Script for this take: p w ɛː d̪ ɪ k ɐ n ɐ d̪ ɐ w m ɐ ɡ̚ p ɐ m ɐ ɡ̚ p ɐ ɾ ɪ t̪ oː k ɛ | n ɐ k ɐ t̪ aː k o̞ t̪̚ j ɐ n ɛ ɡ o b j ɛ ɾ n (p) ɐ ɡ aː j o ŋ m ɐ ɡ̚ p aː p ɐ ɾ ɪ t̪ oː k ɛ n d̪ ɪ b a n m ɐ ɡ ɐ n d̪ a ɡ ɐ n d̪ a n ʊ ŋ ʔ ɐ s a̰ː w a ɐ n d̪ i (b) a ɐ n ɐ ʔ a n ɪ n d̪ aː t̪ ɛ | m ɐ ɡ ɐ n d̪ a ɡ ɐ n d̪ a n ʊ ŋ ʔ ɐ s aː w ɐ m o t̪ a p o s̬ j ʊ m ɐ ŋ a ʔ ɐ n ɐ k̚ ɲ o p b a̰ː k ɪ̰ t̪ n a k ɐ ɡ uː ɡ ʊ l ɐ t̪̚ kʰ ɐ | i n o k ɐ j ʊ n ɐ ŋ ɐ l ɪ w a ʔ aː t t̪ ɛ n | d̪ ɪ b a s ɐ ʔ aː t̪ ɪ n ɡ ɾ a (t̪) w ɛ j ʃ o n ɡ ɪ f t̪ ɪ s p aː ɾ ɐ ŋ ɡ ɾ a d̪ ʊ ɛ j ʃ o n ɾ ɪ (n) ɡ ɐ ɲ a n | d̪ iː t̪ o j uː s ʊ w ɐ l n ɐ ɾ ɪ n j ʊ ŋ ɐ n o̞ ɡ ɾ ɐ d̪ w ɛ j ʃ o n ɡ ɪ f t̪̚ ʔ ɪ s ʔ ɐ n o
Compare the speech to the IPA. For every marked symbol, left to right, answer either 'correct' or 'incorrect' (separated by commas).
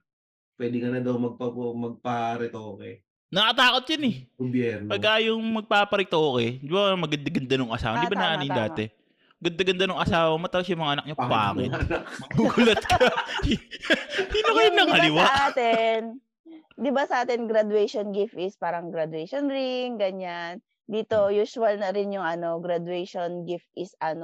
correct, correct, incorrect, incorrect